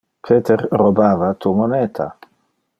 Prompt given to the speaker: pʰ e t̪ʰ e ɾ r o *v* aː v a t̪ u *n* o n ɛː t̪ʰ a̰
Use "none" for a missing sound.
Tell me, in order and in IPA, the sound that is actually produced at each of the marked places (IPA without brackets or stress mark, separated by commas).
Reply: b, m